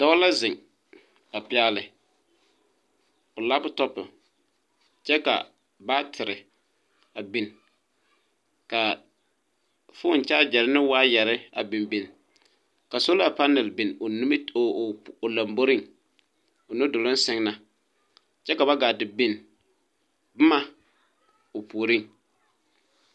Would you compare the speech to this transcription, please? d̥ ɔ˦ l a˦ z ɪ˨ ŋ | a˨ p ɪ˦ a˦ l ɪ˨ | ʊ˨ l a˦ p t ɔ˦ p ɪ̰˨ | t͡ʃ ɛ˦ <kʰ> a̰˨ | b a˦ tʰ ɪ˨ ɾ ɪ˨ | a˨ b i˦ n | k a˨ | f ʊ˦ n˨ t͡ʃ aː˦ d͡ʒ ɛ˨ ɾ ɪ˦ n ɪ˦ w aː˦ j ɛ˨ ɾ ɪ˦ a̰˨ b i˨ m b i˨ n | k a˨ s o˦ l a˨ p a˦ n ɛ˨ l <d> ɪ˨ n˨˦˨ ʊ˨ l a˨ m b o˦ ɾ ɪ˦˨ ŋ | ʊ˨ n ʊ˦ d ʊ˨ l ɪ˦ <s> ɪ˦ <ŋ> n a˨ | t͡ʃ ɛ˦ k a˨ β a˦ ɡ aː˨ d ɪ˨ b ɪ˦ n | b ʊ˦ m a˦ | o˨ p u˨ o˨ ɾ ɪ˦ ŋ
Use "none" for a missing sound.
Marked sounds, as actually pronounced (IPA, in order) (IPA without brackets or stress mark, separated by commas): k, b, s, ŋ